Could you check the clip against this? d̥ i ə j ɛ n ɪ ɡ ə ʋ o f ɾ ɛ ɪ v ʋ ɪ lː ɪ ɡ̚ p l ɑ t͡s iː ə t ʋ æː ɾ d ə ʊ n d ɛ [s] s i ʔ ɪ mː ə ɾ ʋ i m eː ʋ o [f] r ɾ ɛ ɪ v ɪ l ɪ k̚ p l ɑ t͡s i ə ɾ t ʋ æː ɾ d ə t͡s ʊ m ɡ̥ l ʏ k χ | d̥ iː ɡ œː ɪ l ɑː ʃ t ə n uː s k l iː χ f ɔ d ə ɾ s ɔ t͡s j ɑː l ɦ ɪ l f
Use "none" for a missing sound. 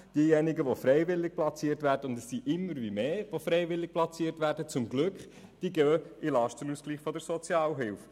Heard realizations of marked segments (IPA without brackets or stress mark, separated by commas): s, f